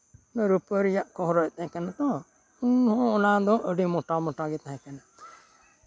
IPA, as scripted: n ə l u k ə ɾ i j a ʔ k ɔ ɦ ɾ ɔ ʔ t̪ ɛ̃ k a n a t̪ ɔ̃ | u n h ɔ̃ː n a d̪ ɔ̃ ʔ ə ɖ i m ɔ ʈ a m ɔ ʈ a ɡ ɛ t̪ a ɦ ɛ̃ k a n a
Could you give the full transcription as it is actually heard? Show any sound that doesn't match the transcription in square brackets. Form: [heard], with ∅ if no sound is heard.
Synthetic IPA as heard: n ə [ɾ] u [p] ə ɾ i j a ʔ k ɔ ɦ ɾ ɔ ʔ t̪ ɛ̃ k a n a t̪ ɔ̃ | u n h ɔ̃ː n a d̪ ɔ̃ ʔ ə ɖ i m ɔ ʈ a m ɔ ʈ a ɡ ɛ t̪ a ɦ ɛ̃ k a n a